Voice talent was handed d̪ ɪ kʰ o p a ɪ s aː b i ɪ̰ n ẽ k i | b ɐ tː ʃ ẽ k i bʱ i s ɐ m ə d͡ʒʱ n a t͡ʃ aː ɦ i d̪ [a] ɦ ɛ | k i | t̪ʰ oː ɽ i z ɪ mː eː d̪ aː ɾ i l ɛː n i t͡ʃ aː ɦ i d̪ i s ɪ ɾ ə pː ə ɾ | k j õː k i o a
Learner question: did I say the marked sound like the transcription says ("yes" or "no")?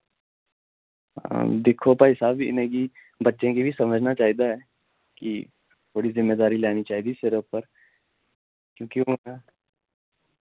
yes